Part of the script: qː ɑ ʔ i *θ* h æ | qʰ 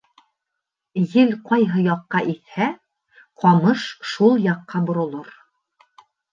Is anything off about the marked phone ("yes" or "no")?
no